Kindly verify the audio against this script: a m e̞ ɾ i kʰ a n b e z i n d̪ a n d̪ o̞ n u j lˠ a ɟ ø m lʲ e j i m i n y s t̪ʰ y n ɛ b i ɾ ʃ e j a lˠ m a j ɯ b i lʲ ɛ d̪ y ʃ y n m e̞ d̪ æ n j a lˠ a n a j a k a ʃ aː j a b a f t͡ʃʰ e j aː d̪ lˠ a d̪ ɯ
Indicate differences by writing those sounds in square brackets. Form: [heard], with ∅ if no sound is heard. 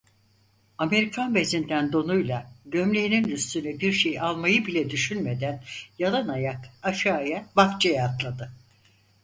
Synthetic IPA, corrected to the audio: a m e̞ ɾ i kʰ a n b e z i n d̪ [æ] n d̪ o̞ n u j lˠ a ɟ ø m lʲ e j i [n] i n y s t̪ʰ y n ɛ b i ɾ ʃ e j a lˠ m a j ɯ b i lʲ ɛ d̪ y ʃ y n m e̞ d̪ æ n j a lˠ a n a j a k a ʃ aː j a b a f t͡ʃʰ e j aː [t̪] lˠ a d̪ ɯ